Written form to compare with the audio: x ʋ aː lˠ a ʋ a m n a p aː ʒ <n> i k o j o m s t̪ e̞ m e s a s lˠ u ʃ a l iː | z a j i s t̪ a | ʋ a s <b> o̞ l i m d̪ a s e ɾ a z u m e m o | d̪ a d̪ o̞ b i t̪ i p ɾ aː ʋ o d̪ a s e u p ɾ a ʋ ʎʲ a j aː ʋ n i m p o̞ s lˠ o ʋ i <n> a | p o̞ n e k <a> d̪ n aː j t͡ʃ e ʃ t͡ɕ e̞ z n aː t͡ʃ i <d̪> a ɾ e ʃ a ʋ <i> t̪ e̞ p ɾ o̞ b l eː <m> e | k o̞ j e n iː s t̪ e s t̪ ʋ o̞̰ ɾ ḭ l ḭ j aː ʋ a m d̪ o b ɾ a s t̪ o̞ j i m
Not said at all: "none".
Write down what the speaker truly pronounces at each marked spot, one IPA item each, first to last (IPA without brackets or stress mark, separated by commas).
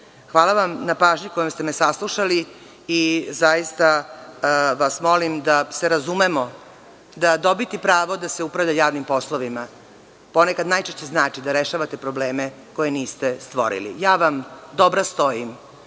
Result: ɲ, m, m, a, d̪, a, m